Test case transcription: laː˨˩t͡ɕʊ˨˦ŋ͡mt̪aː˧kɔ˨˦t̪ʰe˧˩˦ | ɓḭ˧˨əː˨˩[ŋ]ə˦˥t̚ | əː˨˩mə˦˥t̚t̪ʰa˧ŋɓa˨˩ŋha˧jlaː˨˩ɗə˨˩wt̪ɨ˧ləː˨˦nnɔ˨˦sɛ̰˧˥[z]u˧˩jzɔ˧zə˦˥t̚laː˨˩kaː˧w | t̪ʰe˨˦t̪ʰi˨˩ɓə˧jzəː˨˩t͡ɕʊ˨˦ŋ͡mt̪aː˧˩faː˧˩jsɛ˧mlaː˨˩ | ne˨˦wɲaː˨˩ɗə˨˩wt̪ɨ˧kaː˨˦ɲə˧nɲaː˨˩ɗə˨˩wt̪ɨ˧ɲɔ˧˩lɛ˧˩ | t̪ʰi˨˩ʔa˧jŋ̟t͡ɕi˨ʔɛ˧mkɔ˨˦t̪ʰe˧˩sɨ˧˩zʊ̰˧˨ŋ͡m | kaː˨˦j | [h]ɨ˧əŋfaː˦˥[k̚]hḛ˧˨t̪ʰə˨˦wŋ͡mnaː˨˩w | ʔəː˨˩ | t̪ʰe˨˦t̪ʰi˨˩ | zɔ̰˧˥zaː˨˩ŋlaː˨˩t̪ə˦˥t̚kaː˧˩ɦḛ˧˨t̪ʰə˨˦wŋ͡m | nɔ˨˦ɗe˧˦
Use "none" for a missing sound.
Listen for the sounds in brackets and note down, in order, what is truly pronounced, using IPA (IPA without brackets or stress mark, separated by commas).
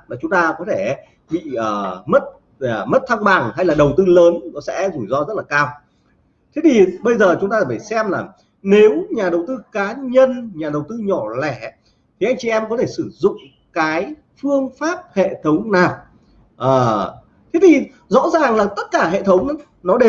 m, z, f, p̚